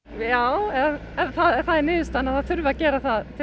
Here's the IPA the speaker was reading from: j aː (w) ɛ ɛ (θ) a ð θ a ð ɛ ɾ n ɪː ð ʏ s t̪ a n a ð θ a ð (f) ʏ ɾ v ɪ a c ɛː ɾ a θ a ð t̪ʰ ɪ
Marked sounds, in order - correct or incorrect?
correct, correct, incorrect: θ

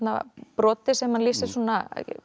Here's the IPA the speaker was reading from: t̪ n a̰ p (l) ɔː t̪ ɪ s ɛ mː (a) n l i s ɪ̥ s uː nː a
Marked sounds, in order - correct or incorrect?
incorrect: ɾ, correct

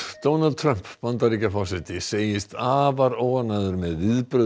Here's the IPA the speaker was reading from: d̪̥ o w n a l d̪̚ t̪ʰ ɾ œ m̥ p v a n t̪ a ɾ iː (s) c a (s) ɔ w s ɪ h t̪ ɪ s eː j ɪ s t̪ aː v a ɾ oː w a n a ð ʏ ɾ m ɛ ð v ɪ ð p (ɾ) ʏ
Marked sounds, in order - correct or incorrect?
incorrect: none, incorrect: f, correct

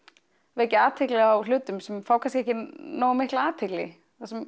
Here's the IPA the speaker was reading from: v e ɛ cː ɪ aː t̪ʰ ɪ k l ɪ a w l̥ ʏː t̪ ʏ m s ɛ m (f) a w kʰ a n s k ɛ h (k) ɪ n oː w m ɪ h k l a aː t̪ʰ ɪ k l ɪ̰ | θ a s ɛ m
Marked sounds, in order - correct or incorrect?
correct, incorrect: c

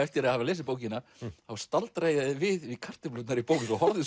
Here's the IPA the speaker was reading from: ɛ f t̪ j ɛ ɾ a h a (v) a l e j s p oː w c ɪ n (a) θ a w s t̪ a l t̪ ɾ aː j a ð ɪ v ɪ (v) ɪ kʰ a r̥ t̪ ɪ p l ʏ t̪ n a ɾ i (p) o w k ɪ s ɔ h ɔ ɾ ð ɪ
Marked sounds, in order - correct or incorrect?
correct, correct, incorrect: ð, correct

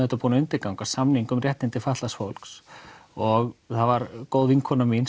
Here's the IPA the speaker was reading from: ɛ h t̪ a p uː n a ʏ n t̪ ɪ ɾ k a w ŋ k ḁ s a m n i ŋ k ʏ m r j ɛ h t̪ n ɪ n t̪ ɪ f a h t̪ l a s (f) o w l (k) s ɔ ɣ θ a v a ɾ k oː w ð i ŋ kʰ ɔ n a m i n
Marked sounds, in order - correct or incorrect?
correct, correct

